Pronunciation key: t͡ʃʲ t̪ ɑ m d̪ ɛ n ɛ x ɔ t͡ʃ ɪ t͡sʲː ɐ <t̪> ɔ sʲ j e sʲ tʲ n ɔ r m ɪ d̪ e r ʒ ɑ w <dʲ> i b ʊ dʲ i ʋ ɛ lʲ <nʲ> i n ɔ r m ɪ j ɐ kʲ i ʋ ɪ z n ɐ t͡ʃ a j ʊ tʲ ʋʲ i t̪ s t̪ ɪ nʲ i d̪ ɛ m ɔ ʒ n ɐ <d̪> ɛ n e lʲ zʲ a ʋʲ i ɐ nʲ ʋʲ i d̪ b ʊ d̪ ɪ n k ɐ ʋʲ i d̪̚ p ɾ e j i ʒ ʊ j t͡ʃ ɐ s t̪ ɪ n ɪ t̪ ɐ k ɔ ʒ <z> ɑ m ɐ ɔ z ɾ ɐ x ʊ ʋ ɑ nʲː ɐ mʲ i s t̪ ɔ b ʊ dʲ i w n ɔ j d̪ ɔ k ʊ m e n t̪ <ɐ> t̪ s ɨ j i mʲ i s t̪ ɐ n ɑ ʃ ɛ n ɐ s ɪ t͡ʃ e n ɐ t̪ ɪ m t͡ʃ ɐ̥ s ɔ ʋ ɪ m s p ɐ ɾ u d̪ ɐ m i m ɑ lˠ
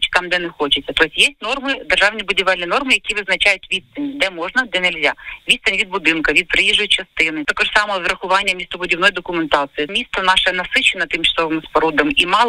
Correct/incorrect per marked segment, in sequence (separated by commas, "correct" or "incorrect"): correct, incorrect, correct, correct, incorrect, incorrect